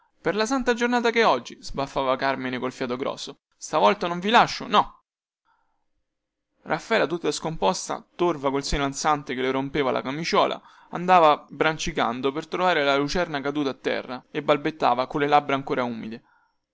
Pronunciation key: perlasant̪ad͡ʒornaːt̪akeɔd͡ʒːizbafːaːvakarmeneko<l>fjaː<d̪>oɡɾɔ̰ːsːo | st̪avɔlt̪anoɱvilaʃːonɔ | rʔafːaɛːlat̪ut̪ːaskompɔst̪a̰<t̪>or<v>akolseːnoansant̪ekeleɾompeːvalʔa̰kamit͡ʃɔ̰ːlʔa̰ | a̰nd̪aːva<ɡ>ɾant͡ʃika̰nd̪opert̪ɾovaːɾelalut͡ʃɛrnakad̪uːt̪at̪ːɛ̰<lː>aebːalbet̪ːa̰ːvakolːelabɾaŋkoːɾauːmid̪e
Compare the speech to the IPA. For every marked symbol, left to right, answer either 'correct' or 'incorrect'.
correct, incorrect: t̪, correct, correct, incorrect: b, incorrect: rː

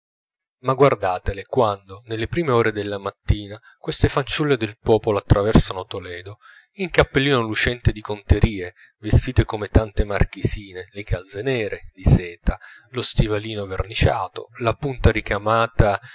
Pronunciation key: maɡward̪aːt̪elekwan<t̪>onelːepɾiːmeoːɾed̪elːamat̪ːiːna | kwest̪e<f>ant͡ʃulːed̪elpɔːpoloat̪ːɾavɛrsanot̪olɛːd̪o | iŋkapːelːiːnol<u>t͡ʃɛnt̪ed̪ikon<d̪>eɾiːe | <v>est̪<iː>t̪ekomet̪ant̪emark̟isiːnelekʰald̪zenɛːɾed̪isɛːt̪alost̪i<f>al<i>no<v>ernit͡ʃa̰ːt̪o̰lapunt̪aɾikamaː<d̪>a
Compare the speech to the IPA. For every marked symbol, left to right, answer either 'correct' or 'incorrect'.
incorrect: d̪, correct, correct, incorrect: t̪, correct, correct, incorrect: v, incorrect: iː, correct, incorrect: t̪

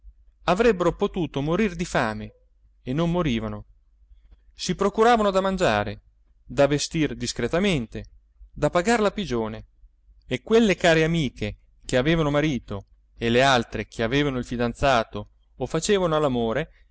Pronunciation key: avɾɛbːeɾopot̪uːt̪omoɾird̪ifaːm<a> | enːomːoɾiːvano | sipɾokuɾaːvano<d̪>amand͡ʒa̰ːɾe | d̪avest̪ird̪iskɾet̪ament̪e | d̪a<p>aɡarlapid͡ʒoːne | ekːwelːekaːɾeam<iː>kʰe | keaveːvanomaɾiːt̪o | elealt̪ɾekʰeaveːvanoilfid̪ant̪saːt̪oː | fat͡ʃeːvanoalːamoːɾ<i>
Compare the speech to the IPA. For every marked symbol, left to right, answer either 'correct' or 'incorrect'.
incorrect: e, correct, correct, correct, incorrect: e

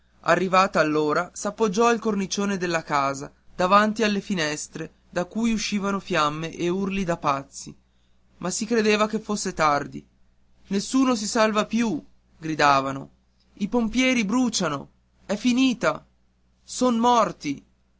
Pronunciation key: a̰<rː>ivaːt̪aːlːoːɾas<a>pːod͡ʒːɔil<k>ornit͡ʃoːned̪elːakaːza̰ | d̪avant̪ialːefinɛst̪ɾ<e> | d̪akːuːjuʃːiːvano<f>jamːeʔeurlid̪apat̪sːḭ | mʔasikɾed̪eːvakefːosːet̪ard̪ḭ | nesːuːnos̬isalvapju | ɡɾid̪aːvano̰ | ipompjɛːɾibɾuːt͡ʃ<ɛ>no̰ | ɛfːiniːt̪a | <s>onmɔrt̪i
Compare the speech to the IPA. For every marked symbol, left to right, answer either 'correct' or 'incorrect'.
correct, correct, correct, correct, correct, incorrect: a, correct

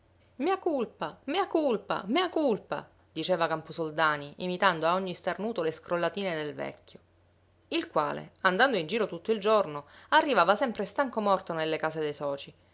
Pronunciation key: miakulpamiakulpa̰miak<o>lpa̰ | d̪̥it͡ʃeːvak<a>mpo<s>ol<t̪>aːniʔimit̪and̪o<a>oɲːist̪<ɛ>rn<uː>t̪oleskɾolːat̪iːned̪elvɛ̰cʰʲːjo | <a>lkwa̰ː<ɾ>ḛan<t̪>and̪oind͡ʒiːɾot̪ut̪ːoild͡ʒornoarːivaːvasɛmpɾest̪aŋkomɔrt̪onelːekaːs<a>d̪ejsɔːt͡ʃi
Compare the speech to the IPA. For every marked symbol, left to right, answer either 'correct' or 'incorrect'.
incorrect: u, correct, correct, incorrect: d̪, correct, incorrect: a, correct, incorrect: i, incorrect: l, incorrect: d̪, incorrect: e

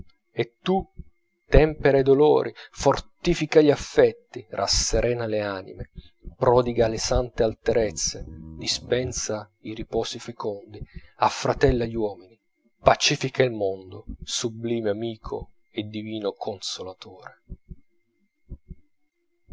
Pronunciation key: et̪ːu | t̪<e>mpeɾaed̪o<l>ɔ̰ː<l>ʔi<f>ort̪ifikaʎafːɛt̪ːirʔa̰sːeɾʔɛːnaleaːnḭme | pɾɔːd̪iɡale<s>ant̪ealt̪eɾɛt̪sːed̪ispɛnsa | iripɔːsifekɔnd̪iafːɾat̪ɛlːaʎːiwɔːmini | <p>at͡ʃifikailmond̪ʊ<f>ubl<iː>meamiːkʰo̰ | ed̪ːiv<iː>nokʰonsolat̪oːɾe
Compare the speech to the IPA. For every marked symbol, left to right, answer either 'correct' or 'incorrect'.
incorrect: ɛ, correct, incorrect: ɾ, correct, correct, correct, incorrect: s, correct, correct

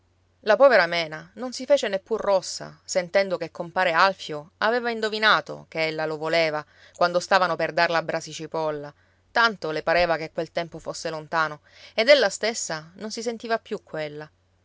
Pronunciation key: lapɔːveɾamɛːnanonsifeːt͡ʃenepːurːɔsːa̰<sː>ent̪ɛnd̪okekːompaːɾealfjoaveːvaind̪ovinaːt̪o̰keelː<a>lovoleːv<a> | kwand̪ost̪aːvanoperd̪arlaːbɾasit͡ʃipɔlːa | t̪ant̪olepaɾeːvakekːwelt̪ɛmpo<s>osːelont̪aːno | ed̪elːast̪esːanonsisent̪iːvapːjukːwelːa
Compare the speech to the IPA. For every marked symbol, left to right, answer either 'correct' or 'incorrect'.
incorrect: s, correct, correct, incorrect: f

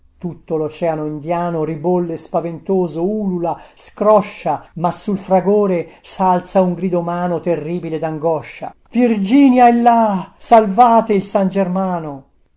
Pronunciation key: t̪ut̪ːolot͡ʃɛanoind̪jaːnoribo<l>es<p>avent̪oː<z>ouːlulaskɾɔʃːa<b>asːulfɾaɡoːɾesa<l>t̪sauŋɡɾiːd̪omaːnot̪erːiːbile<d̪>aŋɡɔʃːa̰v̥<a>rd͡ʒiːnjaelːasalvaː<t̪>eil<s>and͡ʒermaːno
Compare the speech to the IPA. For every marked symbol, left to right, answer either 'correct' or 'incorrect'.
incorrect: lː, correct, correct, incorrect: m, correct, correct, incorrect: i, correct, correct

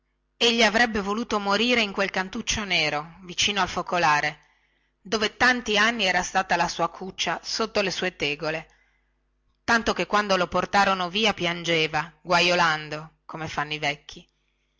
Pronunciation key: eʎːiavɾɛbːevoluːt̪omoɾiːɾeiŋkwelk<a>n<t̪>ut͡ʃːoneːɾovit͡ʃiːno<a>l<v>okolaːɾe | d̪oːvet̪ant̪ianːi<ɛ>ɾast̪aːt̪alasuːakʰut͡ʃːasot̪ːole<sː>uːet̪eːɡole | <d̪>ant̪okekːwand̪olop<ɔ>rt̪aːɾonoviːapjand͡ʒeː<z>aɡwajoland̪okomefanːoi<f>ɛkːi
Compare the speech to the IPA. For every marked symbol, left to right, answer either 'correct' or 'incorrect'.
correct, correct, correct, incorrect: f, incorrect: ɛː, incorrect: s, incorrect: t̪, incorrect: o, incorrect: v, incorrect: v

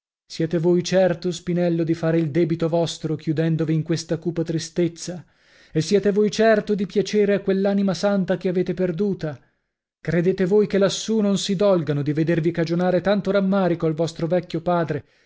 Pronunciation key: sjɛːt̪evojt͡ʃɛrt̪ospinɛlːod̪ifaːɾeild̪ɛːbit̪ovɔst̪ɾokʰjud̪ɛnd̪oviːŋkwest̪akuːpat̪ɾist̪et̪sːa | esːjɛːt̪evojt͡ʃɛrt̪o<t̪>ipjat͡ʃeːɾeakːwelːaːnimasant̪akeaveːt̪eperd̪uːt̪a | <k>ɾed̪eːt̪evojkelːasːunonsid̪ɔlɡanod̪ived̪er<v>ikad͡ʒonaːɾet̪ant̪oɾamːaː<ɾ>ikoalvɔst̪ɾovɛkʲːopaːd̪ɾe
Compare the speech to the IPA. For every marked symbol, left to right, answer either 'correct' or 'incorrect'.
incorrect: d̪, correct, correct, correct

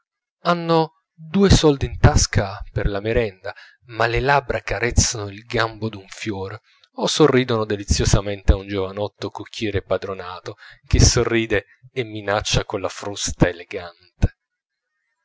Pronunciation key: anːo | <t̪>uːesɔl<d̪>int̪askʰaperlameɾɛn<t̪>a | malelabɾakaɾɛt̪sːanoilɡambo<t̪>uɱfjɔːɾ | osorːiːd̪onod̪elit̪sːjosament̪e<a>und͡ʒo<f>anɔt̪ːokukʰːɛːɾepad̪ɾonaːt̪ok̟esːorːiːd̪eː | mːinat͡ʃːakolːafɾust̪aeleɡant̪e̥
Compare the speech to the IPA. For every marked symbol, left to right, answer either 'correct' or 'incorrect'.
incorrect: d̪, correct, incorrect: d̪, incorrect: d̪, correct, incorrect: v

